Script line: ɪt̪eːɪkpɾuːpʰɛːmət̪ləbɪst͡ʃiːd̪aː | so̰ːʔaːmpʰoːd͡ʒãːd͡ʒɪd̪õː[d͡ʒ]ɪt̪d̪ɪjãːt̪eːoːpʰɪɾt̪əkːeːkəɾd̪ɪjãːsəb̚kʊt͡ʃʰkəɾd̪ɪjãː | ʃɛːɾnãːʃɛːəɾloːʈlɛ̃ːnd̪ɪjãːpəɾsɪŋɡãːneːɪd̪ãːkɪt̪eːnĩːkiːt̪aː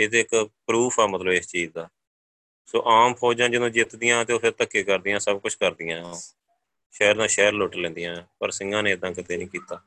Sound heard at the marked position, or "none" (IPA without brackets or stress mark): d͡ʒ